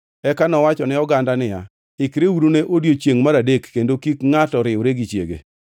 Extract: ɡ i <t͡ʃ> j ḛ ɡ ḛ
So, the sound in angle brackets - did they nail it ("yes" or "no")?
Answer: yes